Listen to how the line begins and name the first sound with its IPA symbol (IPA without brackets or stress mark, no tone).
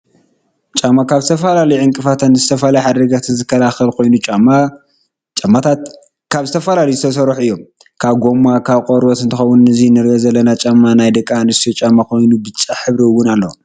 t͡ʃʼ